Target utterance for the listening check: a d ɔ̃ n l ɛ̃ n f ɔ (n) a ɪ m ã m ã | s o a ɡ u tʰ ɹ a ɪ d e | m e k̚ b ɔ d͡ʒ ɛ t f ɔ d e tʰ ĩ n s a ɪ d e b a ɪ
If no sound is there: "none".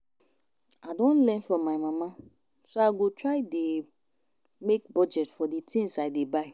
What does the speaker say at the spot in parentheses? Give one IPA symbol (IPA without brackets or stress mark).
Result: m